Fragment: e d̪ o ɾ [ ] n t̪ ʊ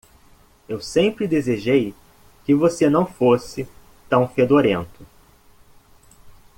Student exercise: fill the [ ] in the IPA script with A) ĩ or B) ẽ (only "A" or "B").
B